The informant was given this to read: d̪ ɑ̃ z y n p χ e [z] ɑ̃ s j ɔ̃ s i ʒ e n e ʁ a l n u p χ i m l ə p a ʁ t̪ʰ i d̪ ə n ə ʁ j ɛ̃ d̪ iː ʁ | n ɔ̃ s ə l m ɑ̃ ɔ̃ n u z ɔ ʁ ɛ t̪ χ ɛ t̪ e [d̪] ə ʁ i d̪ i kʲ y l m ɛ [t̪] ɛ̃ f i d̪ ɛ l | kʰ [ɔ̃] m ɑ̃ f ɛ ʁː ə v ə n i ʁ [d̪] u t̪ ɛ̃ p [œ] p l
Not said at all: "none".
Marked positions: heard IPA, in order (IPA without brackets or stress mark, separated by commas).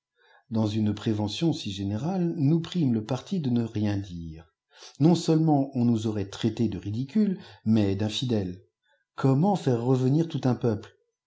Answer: v, d̪, d̪, ɔ, t̪, œ